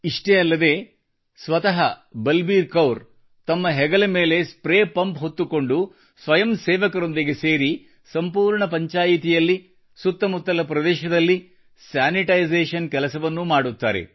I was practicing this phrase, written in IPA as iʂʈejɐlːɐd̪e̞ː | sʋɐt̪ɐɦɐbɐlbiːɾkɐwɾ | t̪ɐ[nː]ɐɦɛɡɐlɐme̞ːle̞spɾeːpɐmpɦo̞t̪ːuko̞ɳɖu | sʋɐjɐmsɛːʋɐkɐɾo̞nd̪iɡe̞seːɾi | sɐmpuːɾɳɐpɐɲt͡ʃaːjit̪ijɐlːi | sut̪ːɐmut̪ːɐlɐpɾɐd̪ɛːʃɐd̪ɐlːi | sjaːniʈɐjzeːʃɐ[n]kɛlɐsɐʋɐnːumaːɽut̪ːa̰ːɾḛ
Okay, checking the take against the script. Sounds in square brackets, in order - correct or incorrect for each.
incorrect: mː, correct

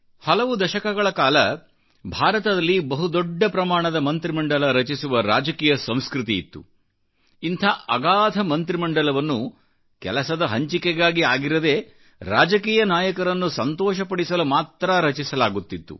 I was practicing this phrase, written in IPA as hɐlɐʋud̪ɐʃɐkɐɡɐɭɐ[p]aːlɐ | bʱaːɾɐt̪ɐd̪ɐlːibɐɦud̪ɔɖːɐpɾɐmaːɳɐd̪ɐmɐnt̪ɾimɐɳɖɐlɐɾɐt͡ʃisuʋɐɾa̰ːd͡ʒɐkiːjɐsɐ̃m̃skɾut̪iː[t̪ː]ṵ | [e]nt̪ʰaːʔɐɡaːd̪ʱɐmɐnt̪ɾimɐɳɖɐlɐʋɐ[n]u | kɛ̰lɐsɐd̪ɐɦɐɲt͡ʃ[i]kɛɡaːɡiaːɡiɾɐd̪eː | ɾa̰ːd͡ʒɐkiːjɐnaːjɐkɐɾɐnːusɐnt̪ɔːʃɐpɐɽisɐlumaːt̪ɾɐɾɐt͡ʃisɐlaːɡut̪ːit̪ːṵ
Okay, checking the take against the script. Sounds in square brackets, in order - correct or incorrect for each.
incorrect: k, correct, incorrect: i, incorrect: nː, correct

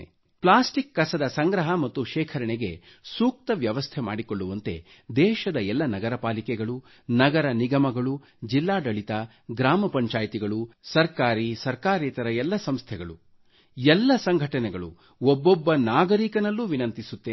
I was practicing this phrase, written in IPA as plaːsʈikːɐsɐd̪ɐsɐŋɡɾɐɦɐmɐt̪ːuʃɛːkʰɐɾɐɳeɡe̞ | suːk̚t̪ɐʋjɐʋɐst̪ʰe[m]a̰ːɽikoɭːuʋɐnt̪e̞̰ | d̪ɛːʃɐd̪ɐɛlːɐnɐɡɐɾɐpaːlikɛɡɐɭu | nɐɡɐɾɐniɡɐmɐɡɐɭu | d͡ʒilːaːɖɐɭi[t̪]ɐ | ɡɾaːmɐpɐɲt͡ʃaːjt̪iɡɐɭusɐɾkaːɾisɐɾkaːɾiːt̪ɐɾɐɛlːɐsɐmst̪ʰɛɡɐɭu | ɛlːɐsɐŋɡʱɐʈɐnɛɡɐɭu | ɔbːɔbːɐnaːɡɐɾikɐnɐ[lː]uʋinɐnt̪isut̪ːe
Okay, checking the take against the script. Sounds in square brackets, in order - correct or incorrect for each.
correct, correct, correct

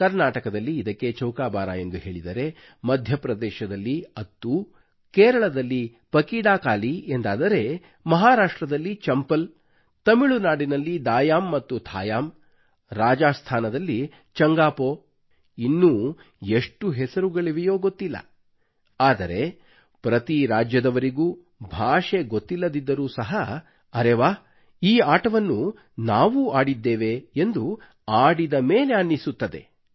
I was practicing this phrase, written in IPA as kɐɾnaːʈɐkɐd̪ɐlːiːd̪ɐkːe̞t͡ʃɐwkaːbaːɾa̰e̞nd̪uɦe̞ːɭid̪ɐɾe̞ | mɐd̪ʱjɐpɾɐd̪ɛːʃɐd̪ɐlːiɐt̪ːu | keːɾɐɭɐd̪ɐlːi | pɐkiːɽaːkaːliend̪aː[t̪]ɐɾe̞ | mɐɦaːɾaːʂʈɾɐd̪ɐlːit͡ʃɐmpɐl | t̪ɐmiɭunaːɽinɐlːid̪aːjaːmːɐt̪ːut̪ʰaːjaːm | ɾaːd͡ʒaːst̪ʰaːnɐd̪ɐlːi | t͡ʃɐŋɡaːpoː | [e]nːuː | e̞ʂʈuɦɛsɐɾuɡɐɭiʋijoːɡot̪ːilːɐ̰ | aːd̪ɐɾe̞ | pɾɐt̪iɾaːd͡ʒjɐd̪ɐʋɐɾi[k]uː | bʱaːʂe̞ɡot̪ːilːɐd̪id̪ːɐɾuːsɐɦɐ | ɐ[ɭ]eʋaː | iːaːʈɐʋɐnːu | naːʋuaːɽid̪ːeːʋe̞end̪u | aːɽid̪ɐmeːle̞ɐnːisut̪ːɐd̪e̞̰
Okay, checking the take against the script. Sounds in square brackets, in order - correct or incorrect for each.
incorrect: d̪, incorrect: i, incorrect: ɡ, incorrect: ɾ

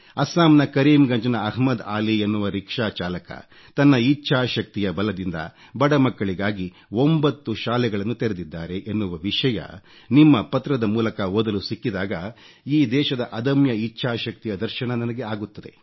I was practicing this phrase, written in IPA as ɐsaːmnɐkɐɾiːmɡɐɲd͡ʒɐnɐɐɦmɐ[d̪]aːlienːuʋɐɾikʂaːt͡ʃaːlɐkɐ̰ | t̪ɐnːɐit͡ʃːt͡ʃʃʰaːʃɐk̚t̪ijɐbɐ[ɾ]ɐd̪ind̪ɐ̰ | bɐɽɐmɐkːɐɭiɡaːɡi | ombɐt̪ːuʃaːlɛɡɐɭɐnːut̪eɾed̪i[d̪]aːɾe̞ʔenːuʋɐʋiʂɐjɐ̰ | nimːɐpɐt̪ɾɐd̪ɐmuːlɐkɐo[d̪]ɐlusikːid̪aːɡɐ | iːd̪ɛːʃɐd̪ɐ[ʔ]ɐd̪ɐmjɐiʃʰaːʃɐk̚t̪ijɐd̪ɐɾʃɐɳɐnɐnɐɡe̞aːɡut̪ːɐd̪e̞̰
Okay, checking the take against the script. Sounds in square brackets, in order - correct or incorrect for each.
correct, incorrect: l, incorrect: d̪ː, correct, correct

